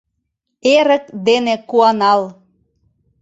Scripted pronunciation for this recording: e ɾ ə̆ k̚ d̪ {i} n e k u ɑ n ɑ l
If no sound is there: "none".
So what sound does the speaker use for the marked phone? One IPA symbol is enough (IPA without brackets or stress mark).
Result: e